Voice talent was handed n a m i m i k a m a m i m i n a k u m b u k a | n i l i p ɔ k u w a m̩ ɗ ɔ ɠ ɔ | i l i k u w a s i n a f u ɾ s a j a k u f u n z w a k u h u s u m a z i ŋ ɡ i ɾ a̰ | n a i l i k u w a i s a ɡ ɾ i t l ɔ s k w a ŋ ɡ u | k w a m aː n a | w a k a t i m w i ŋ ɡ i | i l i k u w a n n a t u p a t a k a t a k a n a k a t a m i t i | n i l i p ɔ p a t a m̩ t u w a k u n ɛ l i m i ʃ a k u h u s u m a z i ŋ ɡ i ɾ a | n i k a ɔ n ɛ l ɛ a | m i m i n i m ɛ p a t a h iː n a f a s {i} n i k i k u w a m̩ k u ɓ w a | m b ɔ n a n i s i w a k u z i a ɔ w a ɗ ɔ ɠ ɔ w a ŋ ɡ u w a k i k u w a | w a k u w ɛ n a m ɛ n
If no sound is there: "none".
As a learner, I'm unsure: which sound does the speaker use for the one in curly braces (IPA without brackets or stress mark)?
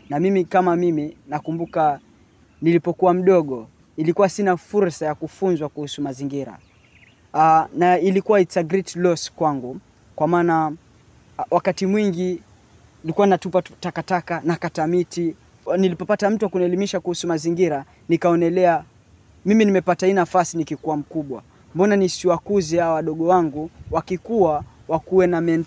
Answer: i